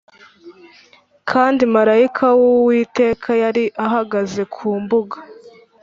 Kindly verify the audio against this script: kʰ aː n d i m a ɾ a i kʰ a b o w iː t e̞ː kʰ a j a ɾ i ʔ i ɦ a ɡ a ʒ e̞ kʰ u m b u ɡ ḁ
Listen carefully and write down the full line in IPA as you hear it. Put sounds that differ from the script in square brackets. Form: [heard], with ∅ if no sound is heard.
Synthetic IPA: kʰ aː n d i m a ɾ a i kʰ a [w] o w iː t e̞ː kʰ a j a ɾ i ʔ [a] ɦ a ɡ a [z] e̞ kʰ [uː] m b u ɡ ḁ